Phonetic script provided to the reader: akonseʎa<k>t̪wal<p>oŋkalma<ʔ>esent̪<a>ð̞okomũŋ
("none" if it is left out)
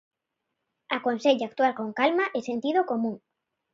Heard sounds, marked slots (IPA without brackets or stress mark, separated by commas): k, k, ʔ, i